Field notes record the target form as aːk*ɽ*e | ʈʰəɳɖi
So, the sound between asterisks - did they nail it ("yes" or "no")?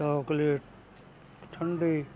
no